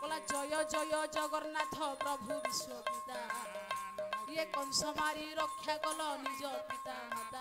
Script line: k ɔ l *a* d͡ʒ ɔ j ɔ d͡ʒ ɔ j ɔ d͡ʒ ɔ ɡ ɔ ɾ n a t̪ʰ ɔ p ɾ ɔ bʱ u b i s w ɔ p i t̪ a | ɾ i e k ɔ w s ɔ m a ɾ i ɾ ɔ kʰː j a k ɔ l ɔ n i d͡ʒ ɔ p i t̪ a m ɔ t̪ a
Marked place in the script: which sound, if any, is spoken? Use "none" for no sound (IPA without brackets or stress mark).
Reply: a